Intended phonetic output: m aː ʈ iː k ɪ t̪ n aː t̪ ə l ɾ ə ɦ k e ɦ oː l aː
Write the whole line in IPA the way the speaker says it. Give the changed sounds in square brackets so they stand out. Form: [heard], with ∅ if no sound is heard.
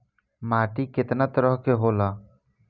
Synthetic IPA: m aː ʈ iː k ɪ t̪ n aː t̪ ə [∅] ɾ ə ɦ k e ɦ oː l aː